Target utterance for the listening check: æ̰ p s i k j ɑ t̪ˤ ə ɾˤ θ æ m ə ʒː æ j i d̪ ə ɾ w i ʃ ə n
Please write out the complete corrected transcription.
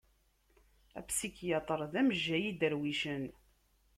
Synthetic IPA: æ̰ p s i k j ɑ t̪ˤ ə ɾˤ ð æ m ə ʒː æ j i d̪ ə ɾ w i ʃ ə n